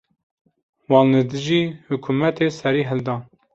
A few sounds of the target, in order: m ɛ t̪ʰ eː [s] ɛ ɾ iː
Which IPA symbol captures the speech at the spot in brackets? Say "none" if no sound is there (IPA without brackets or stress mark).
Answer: s